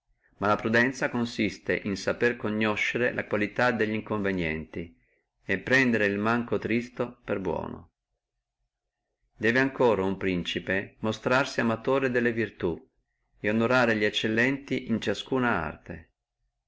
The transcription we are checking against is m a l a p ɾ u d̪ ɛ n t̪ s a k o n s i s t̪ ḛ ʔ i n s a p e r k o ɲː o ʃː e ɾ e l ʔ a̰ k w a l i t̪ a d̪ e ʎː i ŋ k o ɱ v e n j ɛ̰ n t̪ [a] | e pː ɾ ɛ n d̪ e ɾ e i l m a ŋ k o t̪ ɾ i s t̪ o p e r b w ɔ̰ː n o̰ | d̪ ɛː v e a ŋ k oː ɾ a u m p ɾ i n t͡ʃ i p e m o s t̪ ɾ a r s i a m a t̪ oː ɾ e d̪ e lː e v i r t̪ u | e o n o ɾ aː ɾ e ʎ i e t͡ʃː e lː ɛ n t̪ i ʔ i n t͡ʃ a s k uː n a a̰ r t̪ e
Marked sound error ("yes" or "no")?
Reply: yes